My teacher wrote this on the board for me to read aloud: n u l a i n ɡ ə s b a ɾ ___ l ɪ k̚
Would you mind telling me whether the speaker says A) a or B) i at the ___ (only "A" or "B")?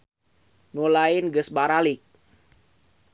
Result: A